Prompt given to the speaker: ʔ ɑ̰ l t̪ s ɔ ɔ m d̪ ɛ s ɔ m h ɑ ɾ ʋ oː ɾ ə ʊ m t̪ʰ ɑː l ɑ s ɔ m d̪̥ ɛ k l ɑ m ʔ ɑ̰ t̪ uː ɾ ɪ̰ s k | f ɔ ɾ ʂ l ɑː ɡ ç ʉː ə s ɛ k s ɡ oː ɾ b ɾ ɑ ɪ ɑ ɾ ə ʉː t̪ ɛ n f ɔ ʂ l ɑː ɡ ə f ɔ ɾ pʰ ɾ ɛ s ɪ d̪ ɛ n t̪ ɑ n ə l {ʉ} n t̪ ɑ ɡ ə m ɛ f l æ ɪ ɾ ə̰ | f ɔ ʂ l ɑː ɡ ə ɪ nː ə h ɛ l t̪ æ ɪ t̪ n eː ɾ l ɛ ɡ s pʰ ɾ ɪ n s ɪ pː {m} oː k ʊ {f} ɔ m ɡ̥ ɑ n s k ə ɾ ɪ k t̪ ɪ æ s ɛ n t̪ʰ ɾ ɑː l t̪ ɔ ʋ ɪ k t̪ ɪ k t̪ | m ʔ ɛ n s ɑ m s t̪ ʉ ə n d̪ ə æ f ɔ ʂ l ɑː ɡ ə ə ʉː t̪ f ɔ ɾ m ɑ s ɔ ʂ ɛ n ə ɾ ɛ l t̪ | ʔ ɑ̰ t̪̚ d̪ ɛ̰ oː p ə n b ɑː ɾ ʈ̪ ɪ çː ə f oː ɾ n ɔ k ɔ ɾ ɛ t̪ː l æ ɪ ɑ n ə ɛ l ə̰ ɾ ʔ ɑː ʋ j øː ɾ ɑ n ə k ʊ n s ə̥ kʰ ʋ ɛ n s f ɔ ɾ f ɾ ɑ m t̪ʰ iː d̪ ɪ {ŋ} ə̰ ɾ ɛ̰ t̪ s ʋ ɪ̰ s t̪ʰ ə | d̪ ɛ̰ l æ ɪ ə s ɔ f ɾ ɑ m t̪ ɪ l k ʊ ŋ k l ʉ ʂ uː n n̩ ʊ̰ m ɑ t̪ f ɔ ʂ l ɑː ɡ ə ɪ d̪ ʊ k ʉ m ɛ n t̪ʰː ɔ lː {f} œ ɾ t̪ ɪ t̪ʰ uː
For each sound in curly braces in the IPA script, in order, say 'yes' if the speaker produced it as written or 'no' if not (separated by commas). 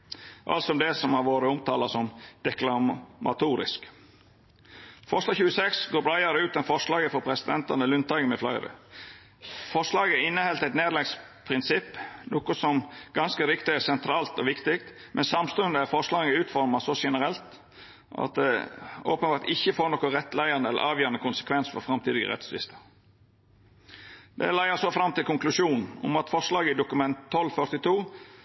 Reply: yes, no, no, no, yes